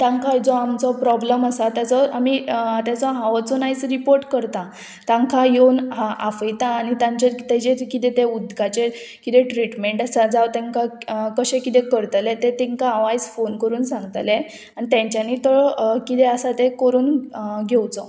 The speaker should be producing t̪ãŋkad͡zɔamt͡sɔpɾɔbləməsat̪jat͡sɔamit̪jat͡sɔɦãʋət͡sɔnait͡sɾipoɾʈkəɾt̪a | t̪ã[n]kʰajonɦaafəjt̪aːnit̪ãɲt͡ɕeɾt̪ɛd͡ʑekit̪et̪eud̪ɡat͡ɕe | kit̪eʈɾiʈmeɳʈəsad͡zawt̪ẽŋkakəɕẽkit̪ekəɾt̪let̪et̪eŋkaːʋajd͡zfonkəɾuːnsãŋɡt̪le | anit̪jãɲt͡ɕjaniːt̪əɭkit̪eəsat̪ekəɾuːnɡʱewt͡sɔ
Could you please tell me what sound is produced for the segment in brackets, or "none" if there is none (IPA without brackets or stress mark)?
ŋ